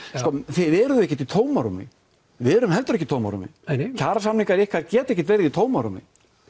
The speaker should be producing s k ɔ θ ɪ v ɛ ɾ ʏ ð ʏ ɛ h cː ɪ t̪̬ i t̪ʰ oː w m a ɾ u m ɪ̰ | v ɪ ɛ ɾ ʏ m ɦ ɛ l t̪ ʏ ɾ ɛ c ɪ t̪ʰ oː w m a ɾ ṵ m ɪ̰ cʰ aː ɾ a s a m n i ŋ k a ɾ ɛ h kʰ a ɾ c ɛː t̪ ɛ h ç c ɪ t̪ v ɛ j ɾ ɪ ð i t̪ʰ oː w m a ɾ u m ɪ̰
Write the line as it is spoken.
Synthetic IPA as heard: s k ɔ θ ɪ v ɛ ɾ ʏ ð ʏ ɛ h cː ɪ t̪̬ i t̪ʰ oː w m a ɾ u m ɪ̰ | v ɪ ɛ ɾ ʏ m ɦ ɛ l t̪ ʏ ɾ ɛ c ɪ t̪ʰ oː w m a ɾ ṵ m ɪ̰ cʰ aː ɾ a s a m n i ŋ k a ɾ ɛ h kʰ a ɾ c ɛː t̪ ɛ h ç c ɪ t̪ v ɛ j ɾ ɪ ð i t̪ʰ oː w m a ɾ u m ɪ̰